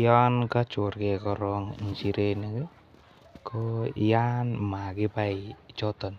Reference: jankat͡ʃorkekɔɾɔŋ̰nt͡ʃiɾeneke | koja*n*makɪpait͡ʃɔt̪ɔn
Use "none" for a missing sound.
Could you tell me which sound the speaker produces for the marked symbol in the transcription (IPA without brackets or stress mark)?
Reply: n